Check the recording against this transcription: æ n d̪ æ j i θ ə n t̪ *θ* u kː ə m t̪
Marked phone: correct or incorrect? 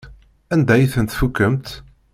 incorrect